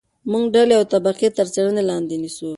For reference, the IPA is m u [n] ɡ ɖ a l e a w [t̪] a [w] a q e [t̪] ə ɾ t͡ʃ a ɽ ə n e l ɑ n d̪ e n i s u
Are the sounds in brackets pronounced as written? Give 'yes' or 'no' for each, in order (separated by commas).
no, yes, no, yes